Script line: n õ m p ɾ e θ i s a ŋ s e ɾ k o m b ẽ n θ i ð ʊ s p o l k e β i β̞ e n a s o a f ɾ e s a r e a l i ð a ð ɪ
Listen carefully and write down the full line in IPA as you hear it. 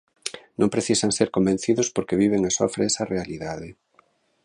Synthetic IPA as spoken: n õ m p ɾ e θ i s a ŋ s e ɾ k o m b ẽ n θ i ð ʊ s p o ɾ k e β i β̞ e ŋ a s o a f ɾ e s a r e a l i ð a ð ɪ

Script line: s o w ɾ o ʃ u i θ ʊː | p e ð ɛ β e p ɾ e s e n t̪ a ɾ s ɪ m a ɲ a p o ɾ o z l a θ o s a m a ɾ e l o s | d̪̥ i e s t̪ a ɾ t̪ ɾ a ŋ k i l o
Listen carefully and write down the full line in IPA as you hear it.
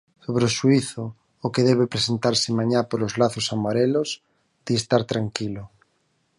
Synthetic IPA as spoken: s o β ɾ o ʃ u i θ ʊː | k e ð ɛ β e p ɾ e s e n t̪ a ɾ s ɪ m a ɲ a p o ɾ o z l a θ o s a m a ɾ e l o s | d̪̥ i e s t̪ a ɾ t̪ ɾ a ŋ k i l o

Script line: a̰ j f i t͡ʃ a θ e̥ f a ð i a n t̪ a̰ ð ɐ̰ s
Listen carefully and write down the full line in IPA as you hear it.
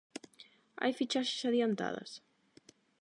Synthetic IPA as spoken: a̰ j f i t͡ʃ a ʃ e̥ s a ð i a n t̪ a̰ ð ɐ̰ s

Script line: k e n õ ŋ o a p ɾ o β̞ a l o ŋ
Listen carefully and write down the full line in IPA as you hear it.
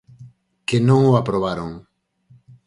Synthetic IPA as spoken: k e n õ ŋ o a p ɾ o β̞ a ɾ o ŋ

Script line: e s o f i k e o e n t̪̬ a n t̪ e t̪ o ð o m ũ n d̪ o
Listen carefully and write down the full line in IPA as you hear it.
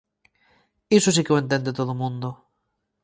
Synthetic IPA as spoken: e s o s i k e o e n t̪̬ e n d̪ e t̪ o ð o m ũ n d̪ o

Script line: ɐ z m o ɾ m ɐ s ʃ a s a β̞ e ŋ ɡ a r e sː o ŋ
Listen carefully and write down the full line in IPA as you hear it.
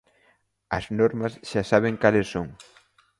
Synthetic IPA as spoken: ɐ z n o ɾ m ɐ s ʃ a s a β̞ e ŋ k a l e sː o ŋ

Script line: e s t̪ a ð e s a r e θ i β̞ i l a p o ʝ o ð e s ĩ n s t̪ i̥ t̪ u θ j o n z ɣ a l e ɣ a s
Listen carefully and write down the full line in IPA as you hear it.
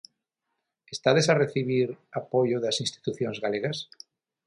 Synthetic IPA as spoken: e s t̪ a ð e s a r e θ i β̞ i ɾ a p o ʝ o ð a s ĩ n s t̪ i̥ t̪ u θ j o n z ɣ a l e ɣ a s

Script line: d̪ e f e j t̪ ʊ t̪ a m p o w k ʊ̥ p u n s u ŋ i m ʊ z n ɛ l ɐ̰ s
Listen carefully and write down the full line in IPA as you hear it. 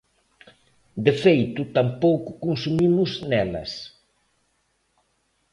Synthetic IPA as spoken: d̪ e f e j t̪ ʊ t̪ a m p o w k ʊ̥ k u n s u m i m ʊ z n ɛ l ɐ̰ s

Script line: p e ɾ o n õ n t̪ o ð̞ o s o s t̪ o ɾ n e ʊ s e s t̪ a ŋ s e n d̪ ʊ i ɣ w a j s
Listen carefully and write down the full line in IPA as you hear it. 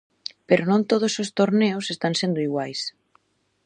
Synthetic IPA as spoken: p e ɾ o n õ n t̪ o ð̞ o s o s t̪ o ɾ n e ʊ s e s t̪ a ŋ s e n d̪ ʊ i ɣ w a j s

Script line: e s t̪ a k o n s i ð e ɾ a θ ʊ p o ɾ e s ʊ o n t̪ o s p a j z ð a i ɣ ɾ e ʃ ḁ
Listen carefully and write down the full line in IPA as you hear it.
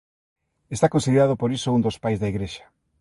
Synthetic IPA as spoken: e s t̪ a k o n s i ð e ɾ a ð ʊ p o ɾ i s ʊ u n d̪ o s p a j z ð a i ɣ ɾ e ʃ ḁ

